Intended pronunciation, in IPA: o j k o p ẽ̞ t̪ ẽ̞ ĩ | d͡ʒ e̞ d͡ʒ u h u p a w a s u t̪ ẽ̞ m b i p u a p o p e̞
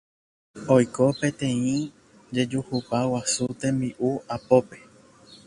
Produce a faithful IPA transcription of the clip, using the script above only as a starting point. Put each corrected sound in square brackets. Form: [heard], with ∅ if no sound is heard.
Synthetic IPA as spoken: o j k o p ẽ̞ t̪ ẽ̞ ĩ | d͡ʒ e̞ d͡ʒ u h u p a w a s u t̪ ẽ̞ m b i [ʔ] u a p o p e̞